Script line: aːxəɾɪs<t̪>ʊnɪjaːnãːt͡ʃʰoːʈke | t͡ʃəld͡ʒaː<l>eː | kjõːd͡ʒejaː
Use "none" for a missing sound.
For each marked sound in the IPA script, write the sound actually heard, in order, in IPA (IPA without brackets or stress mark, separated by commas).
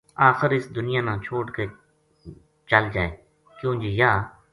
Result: d̪, none